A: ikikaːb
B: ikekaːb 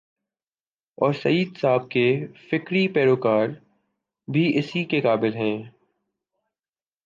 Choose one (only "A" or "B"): B